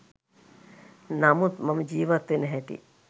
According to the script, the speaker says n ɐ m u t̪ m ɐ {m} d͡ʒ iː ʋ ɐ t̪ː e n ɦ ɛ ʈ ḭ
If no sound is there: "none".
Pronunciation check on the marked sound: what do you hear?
m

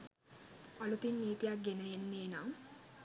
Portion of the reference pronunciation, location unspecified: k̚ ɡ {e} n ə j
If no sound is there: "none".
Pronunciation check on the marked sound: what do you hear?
e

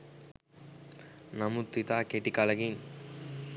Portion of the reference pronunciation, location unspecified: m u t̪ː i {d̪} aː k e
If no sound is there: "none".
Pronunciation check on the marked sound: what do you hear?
t̪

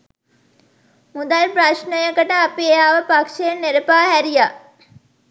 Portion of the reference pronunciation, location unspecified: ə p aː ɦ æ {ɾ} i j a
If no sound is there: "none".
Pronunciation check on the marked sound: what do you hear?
ɾ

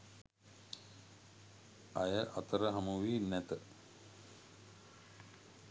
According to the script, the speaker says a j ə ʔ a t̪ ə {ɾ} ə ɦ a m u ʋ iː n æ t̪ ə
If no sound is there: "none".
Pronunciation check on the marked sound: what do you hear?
ɾ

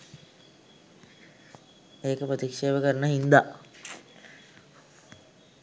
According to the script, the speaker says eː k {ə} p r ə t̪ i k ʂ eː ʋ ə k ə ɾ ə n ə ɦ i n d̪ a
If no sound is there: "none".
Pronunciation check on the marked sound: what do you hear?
ə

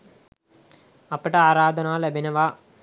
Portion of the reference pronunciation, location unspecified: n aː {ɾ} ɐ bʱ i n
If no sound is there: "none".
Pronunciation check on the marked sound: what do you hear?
l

